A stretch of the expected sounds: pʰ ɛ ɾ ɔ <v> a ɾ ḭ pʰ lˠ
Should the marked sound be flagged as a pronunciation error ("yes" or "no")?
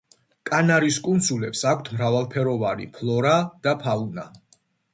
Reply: no